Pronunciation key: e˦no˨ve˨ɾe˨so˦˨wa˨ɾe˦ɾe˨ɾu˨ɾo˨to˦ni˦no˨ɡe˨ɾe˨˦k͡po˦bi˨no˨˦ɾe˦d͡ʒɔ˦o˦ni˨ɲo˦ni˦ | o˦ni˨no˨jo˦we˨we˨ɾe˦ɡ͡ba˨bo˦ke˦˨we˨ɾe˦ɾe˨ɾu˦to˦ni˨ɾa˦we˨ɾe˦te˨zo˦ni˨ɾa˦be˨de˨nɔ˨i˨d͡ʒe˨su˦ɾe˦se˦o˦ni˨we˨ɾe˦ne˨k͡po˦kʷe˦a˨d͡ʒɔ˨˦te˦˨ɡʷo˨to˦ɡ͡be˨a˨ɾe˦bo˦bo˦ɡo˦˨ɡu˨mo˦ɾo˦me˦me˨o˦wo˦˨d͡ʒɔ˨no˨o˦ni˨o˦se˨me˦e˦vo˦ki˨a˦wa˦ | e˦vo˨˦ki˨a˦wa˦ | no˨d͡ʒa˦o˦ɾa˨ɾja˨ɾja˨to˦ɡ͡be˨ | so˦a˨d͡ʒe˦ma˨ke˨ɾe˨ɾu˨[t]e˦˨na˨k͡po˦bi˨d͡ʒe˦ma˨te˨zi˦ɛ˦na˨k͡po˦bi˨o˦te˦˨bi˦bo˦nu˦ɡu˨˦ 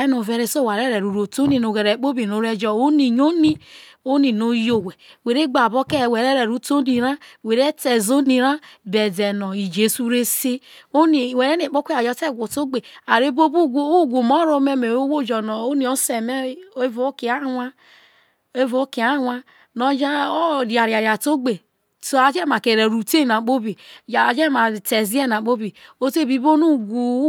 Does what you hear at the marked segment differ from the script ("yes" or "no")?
no